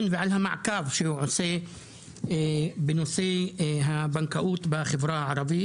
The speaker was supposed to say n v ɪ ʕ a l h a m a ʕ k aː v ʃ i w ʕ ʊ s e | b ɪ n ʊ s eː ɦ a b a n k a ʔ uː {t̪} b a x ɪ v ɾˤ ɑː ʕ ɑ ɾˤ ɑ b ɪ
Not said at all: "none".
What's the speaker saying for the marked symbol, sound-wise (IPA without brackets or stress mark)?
t̪